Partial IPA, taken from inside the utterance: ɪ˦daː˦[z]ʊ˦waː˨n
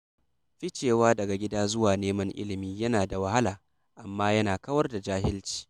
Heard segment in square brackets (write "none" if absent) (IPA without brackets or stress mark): z